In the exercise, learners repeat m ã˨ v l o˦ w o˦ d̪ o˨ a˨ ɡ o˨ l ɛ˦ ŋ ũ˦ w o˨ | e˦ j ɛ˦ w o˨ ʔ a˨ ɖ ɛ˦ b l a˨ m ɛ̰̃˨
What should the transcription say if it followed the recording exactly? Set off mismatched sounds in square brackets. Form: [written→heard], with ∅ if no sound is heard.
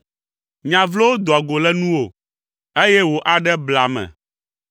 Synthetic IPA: [m→ɲ] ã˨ v l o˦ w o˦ d̪ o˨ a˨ ɡ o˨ l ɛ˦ [ŋ→n] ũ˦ w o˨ | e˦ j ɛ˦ w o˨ ʔ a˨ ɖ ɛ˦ b l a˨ m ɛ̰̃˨